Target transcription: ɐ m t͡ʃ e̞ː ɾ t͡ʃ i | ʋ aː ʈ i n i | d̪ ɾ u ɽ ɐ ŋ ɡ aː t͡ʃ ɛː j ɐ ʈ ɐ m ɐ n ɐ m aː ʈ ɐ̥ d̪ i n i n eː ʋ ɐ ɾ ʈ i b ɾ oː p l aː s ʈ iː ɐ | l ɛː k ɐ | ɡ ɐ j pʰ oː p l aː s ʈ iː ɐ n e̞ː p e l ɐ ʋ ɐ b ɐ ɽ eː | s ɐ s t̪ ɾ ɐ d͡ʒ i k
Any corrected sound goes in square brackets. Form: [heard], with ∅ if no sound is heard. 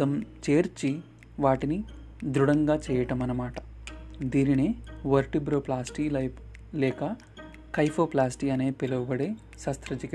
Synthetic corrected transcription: ɐ m t͡ʃ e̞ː ɾ t͡ʃ i | ʋ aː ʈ i n i | d̪ ɾ u ɽ ɐ ŋ ɡ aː t͡ʃ ɛː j ɐ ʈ ɐ m ɐ n ɐ m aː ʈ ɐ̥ d̪ [iː] n i n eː ʋ ɐ ɾ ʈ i b ɾ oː p l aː s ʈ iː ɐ | l ɛː k ɐ | [k] ɐ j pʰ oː p l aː s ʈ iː ɐ n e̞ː p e l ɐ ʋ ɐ b ɐ ɽ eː | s ɐ s t̪ ɾ ɐ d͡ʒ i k